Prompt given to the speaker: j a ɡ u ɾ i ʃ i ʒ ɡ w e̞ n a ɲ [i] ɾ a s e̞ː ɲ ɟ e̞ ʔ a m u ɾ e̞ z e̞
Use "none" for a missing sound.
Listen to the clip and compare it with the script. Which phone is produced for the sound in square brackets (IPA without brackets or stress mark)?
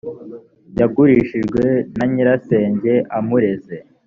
i